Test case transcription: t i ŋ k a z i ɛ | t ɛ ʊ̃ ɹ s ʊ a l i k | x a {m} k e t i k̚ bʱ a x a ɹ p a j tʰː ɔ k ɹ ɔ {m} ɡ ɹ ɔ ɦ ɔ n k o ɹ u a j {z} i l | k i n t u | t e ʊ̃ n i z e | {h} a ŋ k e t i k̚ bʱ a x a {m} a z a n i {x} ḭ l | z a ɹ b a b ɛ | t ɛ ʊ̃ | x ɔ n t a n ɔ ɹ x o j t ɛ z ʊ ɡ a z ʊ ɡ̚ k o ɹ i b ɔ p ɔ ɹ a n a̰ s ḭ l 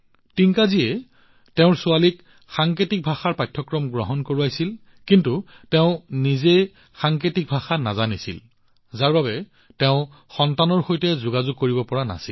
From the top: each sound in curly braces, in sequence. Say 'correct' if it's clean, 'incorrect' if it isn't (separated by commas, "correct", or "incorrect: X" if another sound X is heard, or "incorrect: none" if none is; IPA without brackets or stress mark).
incorrect: ŋ, correct, incorrect: s, incorrect: x, incorrect: n, incorrect: s